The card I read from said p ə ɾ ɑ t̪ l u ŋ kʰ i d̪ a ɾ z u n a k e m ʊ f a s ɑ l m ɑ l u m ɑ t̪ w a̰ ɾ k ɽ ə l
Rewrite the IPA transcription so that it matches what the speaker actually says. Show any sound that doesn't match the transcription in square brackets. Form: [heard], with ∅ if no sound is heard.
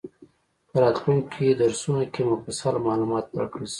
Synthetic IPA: p ə ɾ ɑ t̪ l u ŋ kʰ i d̪ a ɾ [s] u n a k e m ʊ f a s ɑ l m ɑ l u m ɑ t̪ w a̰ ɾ k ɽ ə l